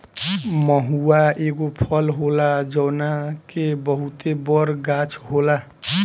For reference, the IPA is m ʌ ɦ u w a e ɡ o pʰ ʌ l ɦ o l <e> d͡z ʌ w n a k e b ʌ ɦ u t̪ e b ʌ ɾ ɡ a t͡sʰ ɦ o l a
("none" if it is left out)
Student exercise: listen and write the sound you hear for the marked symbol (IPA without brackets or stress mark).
a